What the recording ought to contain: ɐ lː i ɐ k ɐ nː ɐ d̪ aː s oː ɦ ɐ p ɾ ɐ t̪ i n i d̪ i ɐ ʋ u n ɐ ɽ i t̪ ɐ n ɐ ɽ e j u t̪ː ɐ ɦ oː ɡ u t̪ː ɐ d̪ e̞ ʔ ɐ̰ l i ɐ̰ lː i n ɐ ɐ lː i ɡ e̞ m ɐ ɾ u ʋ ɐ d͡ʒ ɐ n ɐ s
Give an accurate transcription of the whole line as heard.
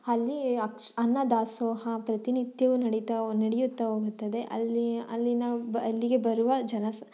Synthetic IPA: ɐ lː i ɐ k ɐ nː ɐ d̪ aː s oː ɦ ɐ p ɾ ɐ t̪ i n i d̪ j ɐ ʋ u n ɐ ɽ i t̪ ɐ n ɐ ɽ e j u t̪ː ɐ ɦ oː ɡ u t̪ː ɐ d̪ e̞ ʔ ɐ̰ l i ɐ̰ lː i n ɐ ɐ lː i ɡ e̞ b ɐ ɾ u ʋ ɐ d͡ʒ ɐ n ɐ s